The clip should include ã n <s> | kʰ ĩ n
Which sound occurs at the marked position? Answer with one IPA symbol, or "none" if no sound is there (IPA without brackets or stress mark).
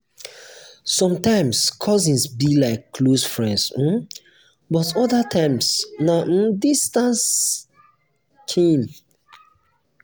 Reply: s